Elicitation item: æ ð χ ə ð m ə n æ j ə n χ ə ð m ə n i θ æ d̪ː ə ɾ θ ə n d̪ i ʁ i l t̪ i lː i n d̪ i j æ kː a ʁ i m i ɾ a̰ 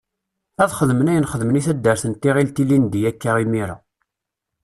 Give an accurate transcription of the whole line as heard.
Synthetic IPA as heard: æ ð χ ə ð m ə n æ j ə n χ ə ð m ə n i θ æ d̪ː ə ɾ θ ə n t̪ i ʁ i l t̪ i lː i n d̪ i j æ kː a ʁ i m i ɾ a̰